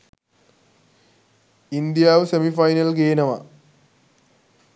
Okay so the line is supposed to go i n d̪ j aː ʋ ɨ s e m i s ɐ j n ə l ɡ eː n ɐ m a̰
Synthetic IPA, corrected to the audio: i n d̪ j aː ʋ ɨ s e m i f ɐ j n ɐ l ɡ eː n ɐ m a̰